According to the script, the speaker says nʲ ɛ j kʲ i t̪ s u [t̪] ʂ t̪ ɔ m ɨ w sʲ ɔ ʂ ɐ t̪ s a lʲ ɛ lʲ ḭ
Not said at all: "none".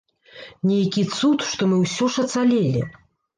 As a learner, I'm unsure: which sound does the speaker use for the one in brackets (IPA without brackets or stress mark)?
t̪